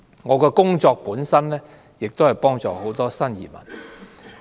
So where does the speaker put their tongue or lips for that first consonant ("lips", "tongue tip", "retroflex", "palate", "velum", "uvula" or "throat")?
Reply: velum